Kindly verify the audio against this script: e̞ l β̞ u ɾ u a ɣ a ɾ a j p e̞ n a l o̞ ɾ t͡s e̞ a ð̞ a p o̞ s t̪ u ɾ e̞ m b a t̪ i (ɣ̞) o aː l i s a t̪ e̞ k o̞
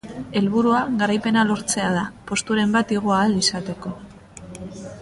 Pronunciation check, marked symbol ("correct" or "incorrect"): correct